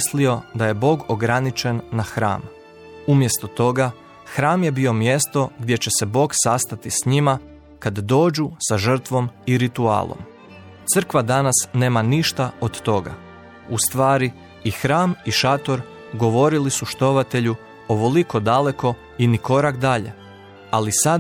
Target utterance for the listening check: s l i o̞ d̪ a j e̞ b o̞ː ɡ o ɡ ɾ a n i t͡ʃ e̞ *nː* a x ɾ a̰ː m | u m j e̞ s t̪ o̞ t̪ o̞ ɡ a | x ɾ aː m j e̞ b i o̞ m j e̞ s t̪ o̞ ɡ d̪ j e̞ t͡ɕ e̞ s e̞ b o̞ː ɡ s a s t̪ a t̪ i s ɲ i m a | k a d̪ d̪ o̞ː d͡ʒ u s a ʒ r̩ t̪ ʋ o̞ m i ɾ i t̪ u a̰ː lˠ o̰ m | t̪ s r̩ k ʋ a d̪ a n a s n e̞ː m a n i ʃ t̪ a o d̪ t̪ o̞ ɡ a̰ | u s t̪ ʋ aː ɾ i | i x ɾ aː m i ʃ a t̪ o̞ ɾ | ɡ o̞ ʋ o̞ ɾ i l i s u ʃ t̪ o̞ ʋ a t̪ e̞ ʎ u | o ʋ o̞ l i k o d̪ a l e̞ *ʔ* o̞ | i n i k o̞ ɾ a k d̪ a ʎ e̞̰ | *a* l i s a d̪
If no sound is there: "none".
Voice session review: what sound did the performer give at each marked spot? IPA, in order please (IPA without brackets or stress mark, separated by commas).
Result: nː, k, a